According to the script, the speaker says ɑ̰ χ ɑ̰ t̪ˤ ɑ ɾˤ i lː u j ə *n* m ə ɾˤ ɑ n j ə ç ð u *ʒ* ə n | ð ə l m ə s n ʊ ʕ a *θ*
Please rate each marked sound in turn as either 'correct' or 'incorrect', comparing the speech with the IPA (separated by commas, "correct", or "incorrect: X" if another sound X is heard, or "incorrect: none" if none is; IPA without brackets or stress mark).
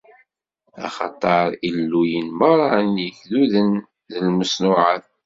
correct, incorrect: ð, correct